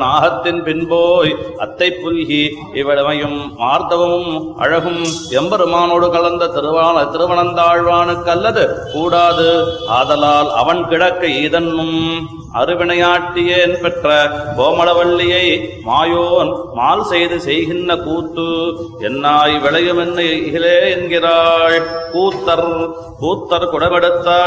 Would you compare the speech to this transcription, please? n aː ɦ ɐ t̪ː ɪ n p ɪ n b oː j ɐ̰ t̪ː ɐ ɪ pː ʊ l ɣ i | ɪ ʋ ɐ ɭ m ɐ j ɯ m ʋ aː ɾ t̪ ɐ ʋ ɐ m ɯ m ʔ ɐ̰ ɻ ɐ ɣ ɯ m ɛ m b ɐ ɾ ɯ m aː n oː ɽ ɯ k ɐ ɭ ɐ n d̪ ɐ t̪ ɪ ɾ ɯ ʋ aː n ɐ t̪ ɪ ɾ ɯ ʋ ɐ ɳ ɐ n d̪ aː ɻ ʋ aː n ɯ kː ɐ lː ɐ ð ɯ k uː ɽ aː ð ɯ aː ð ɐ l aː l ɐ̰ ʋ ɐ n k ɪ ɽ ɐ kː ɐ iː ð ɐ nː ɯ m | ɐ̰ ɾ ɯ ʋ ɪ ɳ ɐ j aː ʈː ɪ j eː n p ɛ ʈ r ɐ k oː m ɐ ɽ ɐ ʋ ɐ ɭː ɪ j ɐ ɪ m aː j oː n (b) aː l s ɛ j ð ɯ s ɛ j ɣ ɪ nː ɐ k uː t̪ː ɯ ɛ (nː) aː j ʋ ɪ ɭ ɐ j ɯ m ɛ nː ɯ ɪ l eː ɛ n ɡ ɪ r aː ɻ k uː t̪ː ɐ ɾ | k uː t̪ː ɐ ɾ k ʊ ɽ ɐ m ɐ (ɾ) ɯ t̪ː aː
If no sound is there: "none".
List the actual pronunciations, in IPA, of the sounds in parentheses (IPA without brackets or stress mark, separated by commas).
m, nː, ɽ